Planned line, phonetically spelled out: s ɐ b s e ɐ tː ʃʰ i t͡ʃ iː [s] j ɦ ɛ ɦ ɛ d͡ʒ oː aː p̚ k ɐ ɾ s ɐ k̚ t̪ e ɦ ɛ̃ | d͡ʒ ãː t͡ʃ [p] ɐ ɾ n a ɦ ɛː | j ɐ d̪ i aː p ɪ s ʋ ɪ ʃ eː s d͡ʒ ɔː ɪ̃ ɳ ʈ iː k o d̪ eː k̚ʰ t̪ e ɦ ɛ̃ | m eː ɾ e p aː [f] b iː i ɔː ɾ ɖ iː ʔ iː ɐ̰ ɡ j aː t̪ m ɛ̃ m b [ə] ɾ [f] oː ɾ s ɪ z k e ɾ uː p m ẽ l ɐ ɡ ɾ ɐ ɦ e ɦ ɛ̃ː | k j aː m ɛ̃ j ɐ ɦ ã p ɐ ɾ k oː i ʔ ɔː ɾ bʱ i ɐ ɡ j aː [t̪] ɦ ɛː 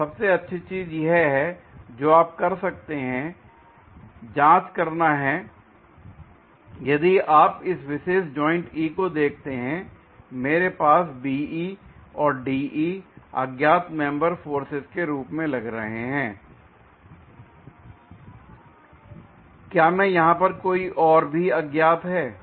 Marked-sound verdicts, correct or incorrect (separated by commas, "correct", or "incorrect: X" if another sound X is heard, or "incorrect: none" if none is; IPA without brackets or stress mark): incorrect: z, incorrect: k, incorrect: s, correct, correct, correct